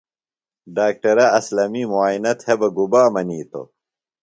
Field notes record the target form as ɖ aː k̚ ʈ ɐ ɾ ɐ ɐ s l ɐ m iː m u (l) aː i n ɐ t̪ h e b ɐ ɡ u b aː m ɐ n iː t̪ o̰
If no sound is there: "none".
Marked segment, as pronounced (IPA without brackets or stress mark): none